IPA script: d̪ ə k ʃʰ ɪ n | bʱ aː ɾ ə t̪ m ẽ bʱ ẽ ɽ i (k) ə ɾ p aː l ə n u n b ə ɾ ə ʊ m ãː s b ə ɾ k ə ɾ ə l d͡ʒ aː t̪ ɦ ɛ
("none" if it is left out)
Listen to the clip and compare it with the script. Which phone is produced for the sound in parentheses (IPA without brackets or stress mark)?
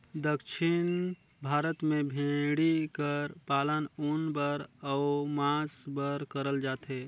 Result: k